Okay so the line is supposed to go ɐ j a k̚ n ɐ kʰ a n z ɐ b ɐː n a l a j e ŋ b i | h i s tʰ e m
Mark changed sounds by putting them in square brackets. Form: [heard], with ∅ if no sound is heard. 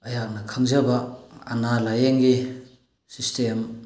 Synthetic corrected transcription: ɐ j a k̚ n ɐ kʰ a [ŋ] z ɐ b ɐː n a l a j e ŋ [ɡ] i | [s] i s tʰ e m